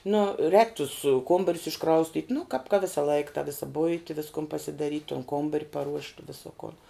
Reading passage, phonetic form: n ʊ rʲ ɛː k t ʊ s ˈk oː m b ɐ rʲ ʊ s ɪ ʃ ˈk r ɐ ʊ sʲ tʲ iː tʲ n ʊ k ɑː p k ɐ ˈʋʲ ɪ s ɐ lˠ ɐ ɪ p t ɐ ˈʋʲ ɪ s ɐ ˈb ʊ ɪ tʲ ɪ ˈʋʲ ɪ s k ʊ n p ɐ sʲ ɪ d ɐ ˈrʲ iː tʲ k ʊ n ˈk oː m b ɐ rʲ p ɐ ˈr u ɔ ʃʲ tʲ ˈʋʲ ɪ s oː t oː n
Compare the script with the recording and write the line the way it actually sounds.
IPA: n ʊ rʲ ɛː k t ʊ s ˈk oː m b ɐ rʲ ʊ s ɪ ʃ ˈk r ɐ ʊ sʲ tʲ iː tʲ n ʊ k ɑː p k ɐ ˈʋʲ ɪ s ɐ lˠ ɐ ɪ k t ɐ ˈʋʲ ɪ s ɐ ˈb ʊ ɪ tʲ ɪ ˈʋʲ ɪ s k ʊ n p ɐ sʲ ɪ d ɐ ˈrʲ iː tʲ t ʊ n ˈk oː m b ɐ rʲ p ɐ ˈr u ɔ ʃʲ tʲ ˈʋʲ ɪ s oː k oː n